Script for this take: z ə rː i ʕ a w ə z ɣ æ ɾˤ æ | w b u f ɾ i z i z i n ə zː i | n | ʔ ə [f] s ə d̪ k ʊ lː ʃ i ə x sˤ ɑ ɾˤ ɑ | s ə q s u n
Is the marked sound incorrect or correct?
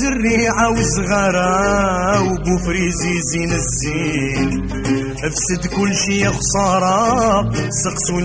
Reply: correct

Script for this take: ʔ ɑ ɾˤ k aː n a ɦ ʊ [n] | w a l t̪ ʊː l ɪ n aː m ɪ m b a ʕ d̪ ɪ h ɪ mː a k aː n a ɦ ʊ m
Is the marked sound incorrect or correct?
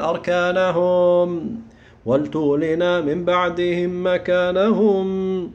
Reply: incorrect: m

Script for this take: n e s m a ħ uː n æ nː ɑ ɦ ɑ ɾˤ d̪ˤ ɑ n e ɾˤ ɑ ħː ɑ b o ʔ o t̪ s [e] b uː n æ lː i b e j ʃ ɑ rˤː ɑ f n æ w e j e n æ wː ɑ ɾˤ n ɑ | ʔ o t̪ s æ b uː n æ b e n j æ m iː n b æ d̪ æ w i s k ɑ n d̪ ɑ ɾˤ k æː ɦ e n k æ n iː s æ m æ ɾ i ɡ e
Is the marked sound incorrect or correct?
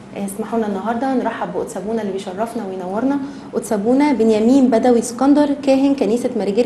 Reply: incorrect: æ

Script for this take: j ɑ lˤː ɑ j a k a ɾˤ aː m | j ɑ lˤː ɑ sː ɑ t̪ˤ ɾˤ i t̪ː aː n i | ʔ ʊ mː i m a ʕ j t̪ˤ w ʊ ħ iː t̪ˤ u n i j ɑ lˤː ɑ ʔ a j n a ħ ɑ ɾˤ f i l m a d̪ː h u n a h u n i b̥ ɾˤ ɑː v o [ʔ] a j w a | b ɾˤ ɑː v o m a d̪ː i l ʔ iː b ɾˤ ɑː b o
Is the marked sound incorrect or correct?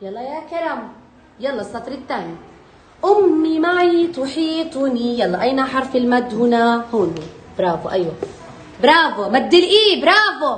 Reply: correct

